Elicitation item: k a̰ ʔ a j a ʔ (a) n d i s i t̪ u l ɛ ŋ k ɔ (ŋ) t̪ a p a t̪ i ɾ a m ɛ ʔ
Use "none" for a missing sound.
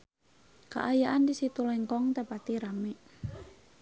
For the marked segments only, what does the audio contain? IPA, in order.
a, ŋ

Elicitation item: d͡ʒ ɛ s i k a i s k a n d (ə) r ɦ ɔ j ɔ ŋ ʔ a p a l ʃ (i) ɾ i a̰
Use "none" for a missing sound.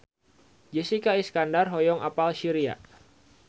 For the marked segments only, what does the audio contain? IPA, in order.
a, i

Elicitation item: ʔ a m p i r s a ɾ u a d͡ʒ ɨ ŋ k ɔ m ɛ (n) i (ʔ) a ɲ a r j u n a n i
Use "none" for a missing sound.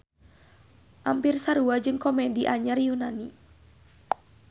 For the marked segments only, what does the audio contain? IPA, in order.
d, ʔ

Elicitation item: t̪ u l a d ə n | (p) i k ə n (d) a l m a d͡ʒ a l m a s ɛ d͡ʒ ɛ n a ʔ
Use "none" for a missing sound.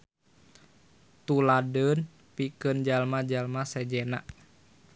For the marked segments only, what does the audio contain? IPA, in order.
p, d͡ʒ

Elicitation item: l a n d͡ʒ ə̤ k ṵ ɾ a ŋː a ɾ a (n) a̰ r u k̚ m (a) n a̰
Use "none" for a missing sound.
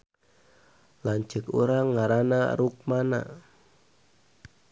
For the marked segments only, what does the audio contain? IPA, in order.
n, a

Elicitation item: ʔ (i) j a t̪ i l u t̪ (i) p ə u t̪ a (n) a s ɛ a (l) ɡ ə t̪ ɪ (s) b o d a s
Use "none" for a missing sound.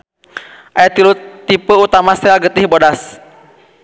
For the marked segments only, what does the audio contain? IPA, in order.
a, i, m, l, h

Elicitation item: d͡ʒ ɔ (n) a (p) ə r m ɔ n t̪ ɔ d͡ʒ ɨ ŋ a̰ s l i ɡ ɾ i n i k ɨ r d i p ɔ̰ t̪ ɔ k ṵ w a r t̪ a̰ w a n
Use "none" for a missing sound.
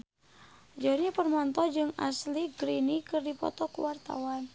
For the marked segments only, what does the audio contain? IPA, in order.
ɲ, p

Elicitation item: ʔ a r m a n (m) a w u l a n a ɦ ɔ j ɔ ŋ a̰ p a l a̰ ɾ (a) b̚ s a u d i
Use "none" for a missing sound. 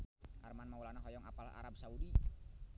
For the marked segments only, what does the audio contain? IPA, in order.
m, a

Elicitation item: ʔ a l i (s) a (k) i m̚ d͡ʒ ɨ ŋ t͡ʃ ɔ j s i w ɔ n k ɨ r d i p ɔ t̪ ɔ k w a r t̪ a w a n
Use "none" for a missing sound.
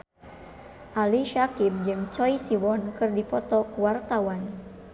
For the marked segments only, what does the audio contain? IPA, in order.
ʃ, k

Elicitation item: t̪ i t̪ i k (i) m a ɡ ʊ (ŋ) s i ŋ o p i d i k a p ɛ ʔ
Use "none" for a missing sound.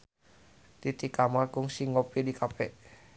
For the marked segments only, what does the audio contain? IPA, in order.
a, ŋ

